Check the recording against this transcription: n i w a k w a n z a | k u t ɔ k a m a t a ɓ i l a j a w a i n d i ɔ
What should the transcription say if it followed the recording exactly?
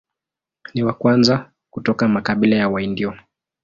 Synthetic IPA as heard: n i w a k w a n z a | k u t ɔ k a m a k a ɓ i l a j a w a i n d i ɔ